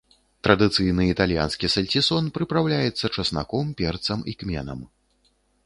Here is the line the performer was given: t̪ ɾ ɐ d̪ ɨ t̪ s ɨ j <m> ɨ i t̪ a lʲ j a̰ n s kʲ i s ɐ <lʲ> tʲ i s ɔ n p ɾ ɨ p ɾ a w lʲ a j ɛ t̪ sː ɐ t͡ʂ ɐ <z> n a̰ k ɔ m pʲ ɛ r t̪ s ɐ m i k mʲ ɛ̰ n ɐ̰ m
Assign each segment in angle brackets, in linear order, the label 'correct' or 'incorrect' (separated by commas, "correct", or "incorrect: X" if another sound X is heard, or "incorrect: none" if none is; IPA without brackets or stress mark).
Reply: incorrect: n, correct, incorrect: s